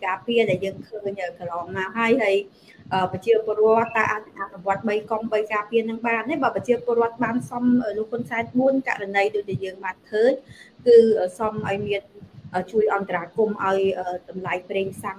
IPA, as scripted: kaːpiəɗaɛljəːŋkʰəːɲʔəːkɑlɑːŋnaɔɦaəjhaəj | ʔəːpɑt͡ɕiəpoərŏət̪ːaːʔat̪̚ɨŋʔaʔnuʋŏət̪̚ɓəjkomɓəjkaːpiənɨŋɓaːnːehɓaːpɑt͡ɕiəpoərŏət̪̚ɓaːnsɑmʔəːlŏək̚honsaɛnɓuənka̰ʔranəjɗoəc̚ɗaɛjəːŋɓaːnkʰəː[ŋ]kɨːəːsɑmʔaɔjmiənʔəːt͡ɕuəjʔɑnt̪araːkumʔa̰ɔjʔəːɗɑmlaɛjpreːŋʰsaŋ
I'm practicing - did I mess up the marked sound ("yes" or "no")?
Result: yes